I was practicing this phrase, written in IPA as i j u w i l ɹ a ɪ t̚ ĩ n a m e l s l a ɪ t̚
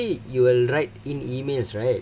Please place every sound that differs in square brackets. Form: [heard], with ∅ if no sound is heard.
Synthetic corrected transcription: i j u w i l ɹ a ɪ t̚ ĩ n [i] m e l s [ɹ] a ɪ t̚